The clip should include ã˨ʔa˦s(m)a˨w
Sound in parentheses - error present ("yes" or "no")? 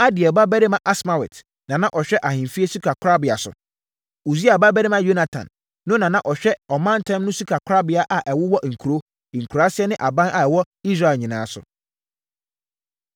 no